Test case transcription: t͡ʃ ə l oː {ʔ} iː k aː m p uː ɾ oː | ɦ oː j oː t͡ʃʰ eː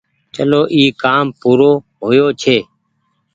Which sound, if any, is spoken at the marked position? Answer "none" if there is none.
ʔ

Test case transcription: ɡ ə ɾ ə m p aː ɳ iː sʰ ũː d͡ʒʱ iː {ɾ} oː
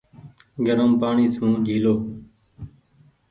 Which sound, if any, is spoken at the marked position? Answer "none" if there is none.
l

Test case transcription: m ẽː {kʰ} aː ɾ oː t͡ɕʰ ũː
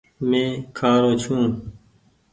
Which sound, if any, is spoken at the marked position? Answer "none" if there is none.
kʰ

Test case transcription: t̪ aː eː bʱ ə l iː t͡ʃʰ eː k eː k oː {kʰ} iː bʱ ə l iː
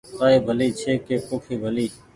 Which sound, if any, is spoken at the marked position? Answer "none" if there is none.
kʰ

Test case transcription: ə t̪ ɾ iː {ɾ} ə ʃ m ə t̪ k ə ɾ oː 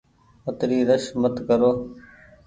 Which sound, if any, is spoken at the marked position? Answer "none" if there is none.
ɾ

